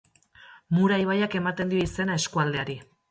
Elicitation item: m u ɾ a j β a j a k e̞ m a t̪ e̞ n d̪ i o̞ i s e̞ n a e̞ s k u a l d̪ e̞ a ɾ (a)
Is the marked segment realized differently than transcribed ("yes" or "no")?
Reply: yes